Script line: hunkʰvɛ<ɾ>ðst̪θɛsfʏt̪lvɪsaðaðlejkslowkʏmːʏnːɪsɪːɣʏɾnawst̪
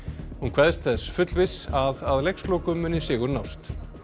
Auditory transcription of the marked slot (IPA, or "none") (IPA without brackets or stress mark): none